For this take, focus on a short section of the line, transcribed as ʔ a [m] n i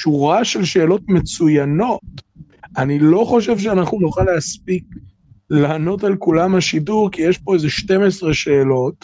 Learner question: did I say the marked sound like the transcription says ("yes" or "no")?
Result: no